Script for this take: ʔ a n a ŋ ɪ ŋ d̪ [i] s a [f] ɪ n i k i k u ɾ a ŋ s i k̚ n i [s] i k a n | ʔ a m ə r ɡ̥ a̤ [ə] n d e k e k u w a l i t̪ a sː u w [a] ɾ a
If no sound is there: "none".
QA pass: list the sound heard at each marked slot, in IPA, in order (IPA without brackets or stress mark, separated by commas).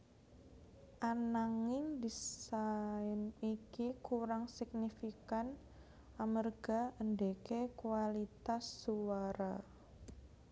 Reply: i, none, f, ə, a